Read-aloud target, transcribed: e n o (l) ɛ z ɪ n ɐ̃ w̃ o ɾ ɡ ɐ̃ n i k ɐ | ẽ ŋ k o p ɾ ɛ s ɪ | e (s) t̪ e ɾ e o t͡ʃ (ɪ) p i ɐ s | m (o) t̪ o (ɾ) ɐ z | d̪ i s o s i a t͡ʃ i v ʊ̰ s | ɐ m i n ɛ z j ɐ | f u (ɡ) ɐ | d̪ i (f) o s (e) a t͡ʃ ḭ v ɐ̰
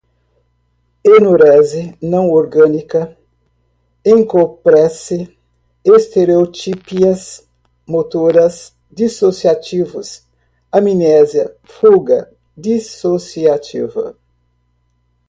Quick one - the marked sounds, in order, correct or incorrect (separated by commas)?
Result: incorrect, correct, incorrect, correct, correct, correct, incorrect, incorrect